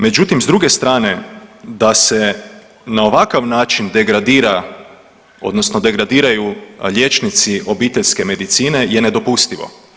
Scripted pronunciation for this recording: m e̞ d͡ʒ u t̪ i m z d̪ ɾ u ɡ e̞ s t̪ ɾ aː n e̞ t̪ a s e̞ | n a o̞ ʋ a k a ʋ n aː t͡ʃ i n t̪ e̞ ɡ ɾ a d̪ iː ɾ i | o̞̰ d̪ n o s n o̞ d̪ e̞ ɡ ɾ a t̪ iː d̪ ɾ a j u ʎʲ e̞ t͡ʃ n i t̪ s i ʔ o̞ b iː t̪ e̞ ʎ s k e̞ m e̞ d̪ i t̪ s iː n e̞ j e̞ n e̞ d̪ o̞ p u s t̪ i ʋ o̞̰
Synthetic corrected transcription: m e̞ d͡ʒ u t̪ i m z d̪ ɾ u ɡ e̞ s t̪ ɾ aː n e̞ d̪ a s e̞ | n a o̞ ʋ a k a ʋ n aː t͡ʃ i n d̪ e̞ ɡ ɾ a d̪ iː ɾ a | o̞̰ d̪ n o s n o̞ d̪ e̞ ɡ ɾ a d̪ iː ɾ a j u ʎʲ e̞ t͡ʃ n i t̪ s i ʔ o̞ b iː t̪ e̞ ʎ s k e̞ m e̞ d̪ i t̪ s iː n e̞ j e̞ n e̞ d̪ o̞ p u s t̪ i ʋ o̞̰